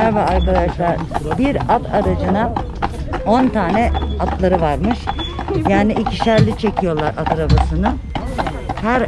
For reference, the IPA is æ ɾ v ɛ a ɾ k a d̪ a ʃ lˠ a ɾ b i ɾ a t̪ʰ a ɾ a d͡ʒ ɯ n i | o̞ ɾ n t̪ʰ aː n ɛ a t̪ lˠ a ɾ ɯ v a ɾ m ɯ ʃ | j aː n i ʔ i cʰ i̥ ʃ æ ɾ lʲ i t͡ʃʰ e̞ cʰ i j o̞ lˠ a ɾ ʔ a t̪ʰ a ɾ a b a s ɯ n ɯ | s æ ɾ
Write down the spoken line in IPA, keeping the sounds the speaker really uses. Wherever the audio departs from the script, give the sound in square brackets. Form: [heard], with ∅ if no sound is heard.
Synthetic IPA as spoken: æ ɾ v ɛ a ɾ k a d̪ a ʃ lˠ a ɾ b i ɾ a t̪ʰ a ɾ a d͡ʒ ɯ n [a] | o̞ [∅] n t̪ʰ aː n ɛ a t̪ lˠ a ɾ ɯ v a ɾ m ɯ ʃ | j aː n i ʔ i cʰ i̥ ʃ æ ɾ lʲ i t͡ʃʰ e̞ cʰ i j o̞ lˠ a ɾ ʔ a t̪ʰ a ɾ a b a s ɯ n ɯ | [h] æ ɾ